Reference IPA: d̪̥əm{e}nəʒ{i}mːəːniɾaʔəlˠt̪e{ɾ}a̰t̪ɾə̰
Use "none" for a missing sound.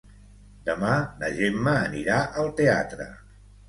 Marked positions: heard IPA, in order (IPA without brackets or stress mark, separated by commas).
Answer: a, e, none